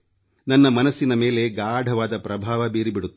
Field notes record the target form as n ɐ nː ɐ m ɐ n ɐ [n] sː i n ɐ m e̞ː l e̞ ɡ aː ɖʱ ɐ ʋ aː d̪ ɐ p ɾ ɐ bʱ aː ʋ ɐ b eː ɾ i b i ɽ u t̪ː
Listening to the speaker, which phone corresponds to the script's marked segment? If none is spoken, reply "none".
none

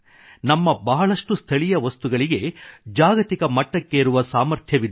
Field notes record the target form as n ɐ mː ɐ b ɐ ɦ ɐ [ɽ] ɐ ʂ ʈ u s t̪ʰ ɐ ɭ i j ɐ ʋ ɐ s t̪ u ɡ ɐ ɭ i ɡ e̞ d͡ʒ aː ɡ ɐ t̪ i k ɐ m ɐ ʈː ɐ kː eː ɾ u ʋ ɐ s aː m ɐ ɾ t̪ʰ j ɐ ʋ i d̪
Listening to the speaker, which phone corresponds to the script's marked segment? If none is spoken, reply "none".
ɭ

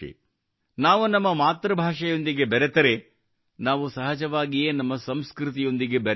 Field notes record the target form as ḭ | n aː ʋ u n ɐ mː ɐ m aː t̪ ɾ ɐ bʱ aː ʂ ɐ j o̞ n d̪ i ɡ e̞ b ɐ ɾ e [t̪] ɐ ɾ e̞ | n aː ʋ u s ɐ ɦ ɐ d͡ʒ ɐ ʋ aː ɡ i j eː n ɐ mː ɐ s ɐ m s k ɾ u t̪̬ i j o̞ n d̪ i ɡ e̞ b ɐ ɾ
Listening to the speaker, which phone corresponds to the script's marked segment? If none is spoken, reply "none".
t̪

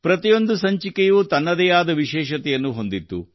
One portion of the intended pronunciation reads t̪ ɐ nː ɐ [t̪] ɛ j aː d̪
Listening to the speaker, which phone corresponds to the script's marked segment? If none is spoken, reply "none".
d̪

